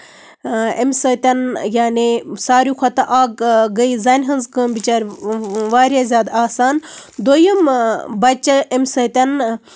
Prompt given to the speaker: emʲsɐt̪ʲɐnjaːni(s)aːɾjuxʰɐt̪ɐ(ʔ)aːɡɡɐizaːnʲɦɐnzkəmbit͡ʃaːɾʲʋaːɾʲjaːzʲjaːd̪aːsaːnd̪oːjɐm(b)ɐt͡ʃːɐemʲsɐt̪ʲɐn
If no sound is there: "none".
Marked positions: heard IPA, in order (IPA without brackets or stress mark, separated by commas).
s, ʔ, b